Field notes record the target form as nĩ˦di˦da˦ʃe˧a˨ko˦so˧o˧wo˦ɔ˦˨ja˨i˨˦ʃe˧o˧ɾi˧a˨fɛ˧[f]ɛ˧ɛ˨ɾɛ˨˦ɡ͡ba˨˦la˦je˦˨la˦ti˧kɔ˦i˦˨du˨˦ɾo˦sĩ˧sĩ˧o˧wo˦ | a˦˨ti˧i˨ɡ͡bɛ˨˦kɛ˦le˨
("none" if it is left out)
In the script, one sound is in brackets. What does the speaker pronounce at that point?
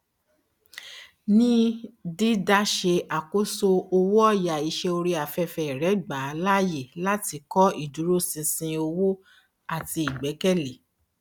f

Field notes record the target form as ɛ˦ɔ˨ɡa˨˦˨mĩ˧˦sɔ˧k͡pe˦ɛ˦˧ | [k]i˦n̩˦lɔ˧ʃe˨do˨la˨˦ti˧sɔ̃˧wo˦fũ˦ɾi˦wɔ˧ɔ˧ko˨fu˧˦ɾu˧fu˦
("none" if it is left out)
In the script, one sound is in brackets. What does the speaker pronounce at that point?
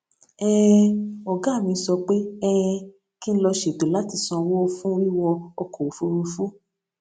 k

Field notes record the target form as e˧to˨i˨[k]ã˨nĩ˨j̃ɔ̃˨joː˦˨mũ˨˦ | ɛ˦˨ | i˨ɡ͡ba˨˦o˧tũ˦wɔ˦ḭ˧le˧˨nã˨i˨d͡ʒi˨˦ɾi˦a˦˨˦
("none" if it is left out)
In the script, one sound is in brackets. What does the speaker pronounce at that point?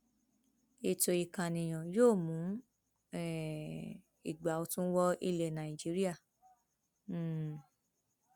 k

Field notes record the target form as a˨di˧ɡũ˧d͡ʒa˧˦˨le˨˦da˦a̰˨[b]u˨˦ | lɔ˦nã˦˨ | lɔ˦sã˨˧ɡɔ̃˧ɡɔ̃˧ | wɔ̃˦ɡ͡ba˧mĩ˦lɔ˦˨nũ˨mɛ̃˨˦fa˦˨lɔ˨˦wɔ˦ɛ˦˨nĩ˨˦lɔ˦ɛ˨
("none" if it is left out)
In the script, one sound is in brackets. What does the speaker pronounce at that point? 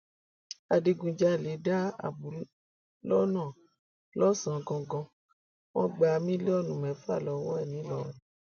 b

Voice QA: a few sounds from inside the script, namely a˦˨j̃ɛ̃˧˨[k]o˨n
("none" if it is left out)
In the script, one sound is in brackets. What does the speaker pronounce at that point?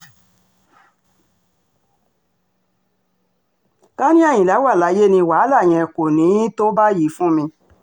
k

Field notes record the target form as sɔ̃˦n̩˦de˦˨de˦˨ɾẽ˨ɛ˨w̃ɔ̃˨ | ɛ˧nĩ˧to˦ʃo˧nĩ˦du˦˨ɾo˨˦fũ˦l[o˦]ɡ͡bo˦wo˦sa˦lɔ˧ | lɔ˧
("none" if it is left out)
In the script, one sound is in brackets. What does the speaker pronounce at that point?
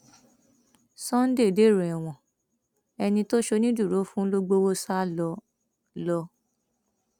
o˦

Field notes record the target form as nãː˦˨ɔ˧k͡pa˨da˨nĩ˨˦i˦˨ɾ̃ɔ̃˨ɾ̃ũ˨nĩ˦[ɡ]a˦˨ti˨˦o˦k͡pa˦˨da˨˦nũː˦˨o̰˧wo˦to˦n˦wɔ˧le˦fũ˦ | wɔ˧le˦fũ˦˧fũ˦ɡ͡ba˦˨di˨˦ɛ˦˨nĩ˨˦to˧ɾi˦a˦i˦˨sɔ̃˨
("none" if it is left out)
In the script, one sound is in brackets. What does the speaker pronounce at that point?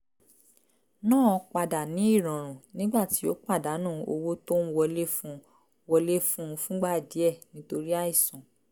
ɡ͡b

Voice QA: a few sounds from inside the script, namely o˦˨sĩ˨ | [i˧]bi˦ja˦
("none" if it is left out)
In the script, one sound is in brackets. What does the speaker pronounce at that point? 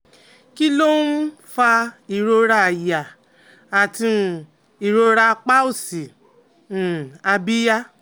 a˧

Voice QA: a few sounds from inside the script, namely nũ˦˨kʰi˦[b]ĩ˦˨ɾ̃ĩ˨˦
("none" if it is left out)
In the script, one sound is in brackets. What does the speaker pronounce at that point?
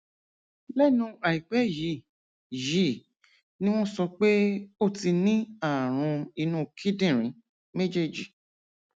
d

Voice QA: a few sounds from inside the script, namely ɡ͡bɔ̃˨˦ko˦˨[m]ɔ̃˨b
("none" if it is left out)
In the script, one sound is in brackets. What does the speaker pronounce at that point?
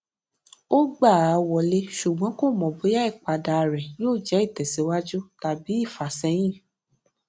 m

